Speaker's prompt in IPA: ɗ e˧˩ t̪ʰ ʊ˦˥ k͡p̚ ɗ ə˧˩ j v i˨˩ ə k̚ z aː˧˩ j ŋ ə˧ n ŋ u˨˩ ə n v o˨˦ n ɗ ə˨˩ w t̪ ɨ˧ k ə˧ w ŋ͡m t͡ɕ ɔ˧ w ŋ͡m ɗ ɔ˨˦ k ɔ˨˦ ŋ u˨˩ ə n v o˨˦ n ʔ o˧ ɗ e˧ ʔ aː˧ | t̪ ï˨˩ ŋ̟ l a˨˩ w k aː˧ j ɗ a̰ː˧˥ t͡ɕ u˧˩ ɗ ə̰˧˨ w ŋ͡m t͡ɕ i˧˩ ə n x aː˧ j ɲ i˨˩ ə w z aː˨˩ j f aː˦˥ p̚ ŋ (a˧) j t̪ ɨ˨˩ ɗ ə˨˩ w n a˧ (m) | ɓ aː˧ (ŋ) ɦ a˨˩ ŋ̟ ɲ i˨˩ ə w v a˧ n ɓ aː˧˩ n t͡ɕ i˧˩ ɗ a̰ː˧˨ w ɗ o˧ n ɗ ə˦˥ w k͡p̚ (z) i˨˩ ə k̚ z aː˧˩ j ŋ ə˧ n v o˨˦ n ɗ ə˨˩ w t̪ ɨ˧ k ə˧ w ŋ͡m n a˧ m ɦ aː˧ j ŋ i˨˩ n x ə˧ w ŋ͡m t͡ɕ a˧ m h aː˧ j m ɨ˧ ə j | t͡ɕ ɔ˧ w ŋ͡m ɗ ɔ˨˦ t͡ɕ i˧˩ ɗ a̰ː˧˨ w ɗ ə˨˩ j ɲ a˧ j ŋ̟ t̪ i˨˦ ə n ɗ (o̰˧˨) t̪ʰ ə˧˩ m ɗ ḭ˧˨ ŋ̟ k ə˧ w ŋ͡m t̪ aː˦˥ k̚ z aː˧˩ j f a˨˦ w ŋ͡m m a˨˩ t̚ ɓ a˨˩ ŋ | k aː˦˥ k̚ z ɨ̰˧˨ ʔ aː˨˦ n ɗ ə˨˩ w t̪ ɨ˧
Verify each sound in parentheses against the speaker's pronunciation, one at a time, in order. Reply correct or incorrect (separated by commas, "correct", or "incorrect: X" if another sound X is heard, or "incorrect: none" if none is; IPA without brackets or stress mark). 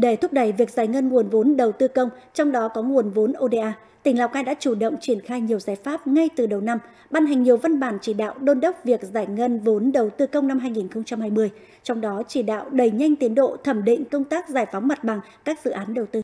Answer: correct, correct, incorrect: n, incorrect: v, correct